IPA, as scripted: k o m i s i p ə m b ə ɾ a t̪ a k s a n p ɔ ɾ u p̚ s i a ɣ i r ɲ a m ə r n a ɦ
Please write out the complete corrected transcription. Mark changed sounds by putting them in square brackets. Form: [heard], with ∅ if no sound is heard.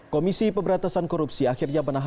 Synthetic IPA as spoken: k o m i s i p ə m b ə ɾ a t̪ a [∅] s a n [k] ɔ ɾ u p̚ s i a [x] i r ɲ a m ə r n a ɦ